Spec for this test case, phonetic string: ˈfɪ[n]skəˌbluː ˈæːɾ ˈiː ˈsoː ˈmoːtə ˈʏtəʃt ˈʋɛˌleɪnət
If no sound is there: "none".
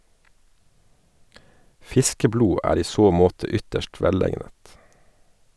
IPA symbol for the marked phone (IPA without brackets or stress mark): none